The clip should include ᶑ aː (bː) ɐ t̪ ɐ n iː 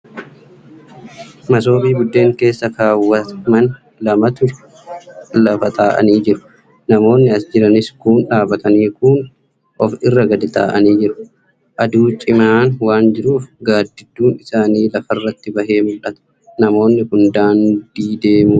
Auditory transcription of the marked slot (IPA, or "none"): b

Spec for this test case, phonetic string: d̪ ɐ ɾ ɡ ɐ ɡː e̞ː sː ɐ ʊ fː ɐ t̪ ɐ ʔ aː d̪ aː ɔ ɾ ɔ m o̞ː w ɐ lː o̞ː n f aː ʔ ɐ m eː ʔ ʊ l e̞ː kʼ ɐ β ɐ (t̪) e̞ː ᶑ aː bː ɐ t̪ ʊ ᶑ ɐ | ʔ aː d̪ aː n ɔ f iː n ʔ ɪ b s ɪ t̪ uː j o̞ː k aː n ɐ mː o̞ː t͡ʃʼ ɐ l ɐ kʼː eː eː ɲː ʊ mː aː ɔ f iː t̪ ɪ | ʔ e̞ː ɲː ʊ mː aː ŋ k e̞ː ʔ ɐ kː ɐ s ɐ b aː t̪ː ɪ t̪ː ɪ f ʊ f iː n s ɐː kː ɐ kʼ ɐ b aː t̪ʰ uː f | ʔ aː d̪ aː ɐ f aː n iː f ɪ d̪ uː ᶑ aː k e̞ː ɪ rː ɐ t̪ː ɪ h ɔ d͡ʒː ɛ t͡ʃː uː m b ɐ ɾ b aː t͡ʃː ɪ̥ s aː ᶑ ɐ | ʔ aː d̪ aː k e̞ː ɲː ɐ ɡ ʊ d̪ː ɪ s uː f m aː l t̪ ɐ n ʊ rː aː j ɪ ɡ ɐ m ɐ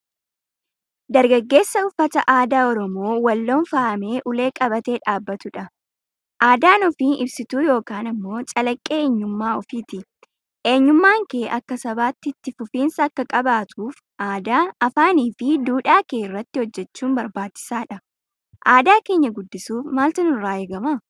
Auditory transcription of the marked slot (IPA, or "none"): t̪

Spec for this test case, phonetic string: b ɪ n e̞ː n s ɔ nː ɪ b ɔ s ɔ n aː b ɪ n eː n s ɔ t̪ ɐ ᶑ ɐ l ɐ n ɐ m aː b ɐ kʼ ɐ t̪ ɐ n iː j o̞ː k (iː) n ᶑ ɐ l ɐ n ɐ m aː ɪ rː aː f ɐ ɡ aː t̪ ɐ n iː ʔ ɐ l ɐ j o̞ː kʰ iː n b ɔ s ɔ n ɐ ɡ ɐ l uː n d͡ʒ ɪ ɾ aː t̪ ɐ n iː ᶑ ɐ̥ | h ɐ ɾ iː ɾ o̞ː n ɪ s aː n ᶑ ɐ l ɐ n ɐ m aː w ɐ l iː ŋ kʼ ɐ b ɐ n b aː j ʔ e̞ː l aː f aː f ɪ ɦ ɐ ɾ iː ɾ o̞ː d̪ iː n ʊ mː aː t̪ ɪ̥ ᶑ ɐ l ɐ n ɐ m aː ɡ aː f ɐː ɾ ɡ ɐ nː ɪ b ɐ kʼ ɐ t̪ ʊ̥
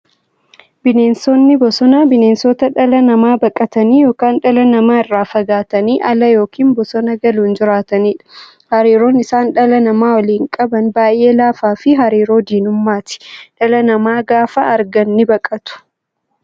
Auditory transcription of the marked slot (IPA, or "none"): aː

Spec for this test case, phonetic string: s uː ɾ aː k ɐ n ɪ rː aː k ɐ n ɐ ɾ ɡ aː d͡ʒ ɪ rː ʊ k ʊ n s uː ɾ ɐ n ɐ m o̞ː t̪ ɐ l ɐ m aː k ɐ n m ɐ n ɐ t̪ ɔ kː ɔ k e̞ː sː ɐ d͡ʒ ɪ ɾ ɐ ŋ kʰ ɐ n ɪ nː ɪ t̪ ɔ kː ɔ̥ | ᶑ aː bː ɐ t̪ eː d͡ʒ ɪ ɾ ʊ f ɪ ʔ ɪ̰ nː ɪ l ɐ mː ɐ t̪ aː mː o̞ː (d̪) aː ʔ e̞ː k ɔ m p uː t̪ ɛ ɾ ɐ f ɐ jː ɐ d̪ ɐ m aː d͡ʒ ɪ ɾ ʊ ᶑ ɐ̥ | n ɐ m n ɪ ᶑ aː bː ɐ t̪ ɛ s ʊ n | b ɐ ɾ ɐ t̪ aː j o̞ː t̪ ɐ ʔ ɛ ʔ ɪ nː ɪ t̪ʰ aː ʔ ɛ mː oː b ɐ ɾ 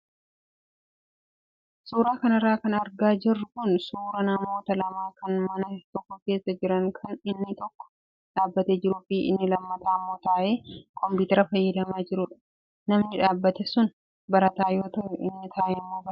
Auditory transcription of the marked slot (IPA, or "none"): t̪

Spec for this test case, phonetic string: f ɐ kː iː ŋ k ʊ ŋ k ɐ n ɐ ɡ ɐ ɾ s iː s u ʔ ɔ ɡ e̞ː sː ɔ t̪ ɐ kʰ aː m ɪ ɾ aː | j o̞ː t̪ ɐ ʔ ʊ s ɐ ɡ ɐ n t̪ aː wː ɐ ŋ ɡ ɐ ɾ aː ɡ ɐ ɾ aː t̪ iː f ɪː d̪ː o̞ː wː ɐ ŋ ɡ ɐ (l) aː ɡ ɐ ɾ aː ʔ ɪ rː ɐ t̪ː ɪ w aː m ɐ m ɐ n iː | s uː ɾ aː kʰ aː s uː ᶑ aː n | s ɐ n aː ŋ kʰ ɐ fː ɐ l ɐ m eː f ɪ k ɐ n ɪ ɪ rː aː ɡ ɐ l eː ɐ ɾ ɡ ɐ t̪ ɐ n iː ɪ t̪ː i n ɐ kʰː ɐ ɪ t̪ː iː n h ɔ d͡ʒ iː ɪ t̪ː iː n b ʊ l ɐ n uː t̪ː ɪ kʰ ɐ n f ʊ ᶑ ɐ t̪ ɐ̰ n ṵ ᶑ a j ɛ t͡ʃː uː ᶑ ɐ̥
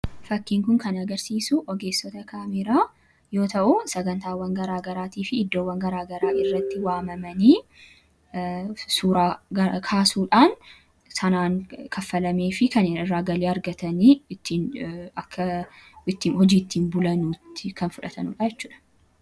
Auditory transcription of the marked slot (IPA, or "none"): ɾ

